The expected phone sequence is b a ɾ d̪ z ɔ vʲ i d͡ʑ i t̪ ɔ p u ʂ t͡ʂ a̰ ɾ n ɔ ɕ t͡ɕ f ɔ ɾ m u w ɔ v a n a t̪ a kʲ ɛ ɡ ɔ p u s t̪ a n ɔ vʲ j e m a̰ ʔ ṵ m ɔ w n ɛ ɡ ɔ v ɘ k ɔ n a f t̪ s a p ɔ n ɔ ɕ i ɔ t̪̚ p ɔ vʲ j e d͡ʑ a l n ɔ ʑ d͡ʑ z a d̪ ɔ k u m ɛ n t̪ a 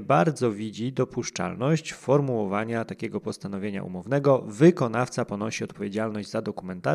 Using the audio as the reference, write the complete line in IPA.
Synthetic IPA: b a ɾ d̪ z ɔ vʲ i d͡ʑ i d̪ ɔ p u ʂ t͡ʂ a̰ l n ɔ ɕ t͡ɕ f ɔ ɾ m u w ɔ v a ɲ a t̪ a kʲ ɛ ɡ ɔ p ɔ s t̪ a n ɔ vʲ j e ɲ a̰ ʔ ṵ m ɔ v n ɛ ɡ ɔ v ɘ k ɔ n a f t̪ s a p ɔ n ɔ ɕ i ɔ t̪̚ p ɔ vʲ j e d͡ʑ a l n ɔ ʑ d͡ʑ z a d̪ ɔ k u m ɛ n t̪ a